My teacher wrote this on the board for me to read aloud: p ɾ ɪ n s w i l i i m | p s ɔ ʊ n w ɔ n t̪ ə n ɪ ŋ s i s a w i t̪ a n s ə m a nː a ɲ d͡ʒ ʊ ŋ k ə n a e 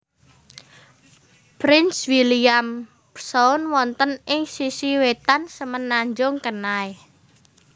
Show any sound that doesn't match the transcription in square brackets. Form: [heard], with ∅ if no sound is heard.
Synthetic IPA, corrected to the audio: p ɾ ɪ n s w i l i [a] m | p s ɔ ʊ n w ɔ n t̪ ə n ɪ ŋ s i s [i] w [e] t̪ a n s ə m [ə] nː a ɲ d͡ʒ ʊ ŋ k ə n a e